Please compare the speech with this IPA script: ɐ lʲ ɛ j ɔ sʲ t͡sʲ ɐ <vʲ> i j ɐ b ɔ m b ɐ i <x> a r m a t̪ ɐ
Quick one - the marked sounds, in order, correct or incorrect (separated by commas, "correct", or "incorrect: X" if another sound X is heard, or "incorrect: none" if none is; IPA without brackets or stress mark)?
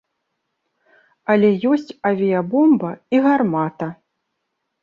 correct, incorrect: ɣ